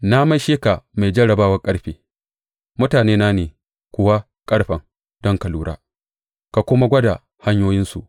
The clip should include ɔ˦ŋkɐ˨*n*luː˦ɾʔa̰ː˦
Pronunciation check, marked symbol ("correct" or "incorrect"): incorrect